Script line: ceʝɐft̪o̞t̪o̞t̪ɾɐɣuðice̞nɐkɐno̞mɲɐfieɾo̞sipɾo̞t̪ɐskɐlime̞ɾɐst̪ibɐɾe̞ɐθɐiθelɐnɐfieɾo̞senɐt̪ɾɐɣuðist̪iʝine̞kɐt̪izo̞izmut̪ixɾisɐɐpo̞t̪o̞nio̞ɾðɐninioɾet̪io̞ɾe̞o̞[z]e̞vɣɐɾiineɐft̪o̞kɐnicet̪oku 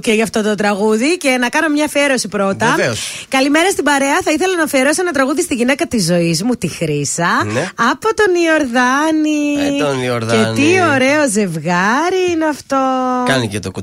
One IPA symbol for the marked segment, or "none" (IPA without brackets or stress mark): z